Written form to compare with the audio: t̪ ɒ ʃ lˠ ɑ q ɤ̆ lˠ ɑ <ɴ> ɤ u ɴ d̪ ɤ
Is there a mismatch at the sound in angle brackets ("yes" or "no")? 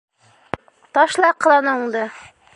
yes